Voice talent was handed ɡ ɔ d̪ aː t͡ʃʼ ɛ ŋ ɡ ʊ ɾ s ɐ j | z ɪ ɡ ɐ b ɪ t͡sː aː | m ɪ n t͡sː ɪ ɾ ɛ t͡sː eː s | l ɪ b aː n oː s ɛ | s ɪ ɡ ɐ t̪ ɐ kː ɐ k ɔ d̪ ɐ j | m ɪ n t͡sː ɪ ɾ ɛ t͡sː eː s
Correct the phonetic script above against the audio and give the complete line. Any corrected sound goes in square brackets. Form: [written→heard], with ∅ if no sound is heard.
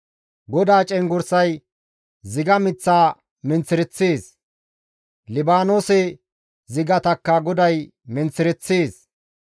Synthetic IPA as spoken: ɡ ɔ d̪ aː t͡ʃʼ ɛ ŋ ɡ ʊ ɾ s ɐ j | z ɪ ɡ ɐ [b→m] ɪ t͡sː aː | m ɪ n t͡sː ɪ ɾ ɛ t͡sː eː s | l ɪ b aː n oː s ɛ | [s→z] ɪ ɡ ɐ t̪ ɐ kː ɐ [k→ɡ] ɔ d̪ ɐ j | m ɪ n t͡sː ɪ ɾ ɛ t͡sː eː s